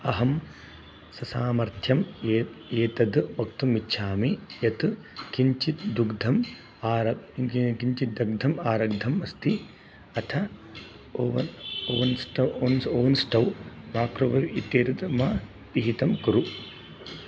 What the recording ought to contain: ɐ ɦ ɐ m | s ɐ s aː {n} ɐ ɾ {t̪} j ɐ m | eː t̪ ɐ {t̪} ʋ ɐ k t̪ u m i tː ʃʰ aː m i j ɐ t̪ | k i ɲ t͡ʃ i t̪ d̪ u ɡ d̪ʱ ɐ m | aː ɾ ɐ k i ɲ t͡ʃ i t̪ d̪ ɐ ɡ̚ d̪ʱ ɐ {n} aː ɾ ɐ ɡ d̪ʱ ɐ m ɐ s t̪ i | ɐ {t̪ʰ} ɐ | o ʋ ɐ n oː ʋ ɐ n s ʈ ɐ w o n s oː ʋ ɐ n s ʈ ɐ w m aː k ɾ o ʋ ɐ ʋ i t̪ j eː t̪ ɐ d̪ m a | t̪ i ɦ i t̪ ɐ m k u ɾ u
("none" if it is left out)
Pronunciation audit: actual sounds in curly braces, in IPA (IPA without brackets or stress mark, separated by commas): m, t̪ʰ, d̪, m, t̪ʰ